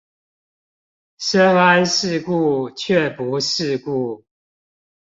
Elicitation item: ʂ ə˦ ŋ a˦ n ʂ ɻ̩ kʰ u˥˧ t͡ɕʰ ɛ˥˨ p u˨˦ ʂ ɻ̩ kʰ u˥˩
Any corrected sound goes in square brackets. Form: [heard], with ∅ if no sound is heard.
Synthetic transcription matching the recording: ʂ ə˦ ŋ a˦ n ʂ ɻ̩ [k] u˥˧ t͡ɕʰ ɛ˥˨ p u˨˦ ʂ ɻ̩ [k] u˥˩

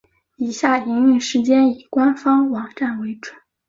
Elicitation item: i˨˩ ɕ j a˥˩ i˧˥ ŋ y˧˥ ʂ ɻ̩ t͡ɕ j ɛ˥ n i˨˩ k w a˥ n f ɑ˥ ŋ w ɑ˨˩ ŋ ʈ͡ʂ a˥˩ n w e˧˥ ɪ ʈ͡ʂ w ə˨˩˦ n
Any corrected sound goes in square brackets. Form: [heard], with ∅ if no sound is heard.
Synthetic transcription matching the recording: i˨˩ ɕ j a˥˩ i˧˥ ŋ [y˥˩] ʂ ɻ̩ t͡ɕ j ɛ˥ n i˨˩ k w a˥ n f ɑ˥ ŋ w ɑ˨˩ ŋ ʈ͡ʂ a˥˩ n w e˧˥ ɪ ʈ͡ʂ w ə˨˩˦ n

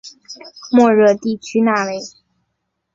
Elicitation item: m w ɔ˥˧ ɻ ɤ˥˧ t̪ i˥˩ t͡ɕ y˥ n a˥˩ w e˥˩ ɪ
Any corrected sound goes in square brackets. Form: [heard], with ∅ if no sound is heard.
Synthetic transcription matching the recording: m w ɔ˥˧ ɻ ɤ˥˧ t̪ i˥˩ [t͡ɕʰ] y˥ n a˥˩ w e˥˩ ɪ

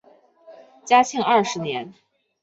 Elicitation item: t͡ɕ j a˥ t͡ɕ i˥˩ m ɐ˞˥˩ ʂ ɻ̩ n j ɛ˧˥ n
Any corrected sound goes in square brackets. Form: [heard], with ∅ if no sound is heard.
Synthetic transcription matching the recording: t͡ɕ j a˥ [t͡ɕʰ] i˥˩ [ŋ] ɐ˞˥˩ ʂ ɻ̩ n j ɛ˧˥ n

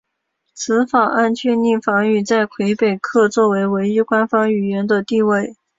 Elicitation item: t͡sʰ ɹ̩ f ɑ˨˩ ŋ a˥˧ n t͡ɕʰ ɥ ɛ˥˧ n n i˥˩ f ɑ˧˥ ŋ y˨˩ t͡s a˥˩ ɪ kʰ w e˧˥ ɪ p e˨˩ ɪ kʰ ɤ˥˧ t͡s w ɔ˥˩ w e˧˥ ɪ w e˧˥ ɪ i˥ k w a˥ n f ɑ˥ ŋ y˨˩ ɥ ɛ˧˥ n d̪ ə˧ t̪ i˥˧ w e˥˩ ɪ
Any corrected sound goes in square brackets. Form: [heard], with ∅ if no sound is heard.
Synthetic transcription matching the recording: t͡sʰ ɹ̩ f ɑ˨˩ ŋ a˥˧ n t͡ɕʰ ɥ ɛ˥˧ n n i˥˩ f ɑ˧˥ ŋ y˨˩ t͡s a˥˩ ɪ kʰ w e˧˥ ɪ p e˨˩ ɪ kʰ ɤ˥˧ t͡s w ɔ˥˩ w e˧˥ ɪ w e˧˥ ɪ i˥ k w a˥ n f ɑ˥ ŋ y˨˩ ɥ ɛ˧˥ n d̪ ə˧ t̪ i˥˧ w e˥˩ ɪ

